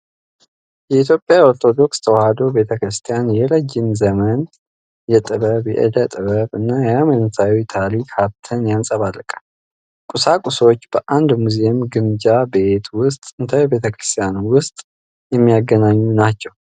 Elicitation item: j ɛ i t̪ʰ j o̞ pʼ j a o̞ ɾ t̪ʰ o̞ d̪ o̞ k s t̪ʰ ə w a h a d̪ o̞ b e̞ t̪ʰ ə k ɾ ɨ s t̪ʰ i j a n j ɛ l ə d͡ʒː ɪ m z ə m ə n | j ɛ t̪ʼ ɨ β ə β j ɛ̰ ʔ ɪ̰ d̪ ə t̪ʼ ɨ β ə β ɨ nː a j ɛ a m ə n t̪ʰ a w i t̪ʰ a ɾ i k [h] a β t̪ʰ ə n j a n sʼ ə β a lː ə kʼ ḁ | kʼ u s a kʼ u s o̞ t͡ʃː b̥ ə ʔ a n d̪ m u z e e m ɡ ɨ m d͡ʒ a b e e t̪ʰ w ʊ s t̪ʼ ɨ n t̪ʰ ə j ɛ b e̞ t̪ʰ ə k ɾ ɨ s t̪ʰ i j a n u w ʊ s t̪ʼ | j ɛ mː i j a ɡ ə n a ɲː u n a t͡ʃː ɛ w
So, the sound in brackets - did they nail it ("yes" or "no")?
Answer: yes